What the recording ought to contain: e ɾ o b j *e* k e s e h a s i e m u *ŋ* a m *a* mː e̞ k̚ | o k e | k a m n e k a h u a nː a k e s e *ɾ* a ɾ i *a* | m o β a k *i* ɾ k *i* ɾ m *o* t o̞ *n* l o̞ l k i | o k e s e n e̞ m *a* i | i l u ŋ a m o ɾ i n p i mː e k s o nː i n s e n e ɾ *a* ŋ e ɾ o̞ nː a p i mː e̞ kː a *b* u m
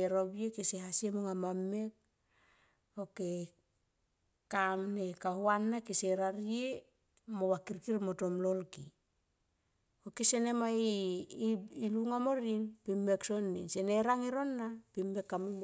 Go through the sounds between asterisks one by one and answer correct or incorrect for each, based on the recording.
correct, correct, correct, correct, incorrect, correct, correct, correct, incorrect, correct, correct, incorrect

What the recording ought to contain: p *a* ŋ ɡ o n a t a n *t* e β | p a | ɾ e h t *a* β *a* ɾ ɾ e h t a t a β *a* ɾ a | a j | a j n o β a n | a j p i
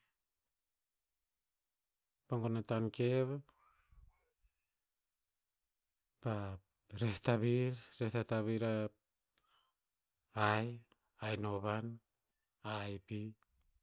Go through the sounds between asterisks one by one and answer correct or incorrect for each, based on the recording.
correct, incorrect, correct, incorrect, incorrect

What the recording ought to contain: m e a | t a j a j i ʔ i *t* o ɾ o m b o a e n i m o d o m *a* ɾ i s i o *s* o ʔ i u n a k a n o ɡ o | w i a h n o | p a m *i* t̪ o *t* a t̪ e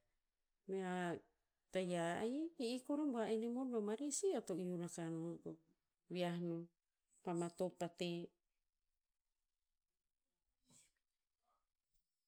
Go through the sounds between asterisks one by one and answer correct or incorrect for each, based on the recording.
incorrect, correct, incorrect, incorrect, incorrect

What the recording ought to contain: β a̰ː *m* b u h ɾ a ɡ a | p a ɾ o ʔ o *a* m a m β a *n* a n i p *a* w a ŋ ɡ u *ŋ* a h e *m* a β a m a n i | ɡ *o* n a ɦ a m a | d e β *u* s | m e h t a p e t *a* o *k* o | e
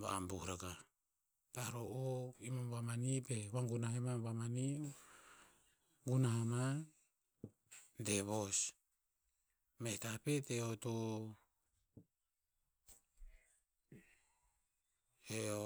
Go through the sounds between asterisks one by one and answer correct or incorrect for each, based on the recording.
correct, incorrect, incorrect, incorrect, incorrect, correct, incorrect, incorrect, incorrect, incorrect

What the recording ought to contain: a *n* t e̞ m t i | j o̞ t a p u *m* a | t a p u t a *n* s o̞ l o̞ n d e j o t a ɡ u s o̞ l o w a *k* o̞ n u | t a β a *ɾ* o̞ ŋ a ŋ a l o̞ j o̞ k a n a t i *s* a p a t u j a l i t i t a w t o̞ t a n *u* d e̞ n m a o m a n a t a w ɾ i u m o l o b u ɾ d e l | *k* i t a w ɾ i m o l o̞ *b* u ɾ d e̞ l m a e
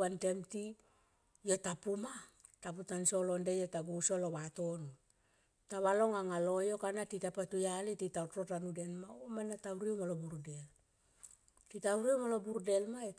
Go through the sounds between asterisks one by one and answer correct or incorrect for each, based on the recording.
correct, correct, correct, incorrect, incorrect, incorrect, correct, incorrect, correct

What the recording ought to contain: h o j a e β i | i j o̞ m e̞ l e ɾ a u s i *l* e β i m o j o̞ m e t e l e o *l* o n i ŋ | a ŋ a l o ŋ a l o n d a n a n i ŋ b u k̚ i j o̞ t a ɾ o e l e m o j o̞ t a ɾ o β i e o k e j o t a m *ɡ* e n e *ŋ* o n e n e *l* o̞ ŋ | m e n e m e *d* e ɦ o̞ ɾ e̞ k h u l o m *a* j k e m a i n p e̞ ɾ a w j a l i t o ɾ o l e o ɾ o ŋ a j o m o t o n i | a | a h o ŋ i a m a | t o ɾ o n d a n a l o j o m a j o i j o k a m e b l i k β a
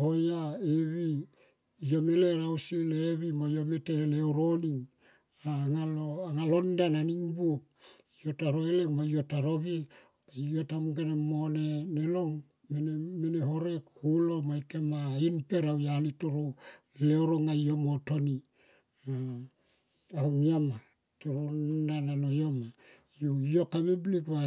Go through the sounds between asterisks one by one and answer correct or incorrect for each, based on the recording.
correct, incorrect, correct, incorrect, correct, incorrect, correct

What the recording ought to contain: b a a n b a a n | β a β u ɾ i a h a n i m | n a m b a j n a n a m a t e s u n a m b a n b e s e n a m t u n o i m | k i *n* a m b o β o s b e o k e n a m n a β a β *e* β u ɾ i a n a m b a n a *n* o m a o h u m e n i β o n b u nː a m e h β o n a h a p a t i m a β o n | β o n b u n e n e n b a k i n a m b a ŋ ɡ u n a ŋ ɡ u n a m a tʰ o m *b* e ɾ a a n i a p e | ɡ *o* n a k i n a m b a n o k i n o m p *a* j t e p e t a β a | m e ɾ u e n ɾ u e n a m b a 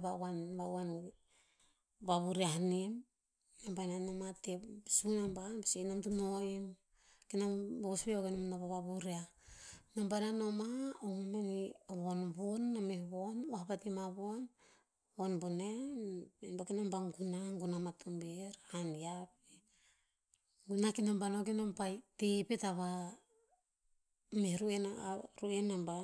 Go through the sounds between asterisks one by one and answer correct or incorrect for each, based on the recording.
correct, incorrect, correct, correct, incorrect, correct

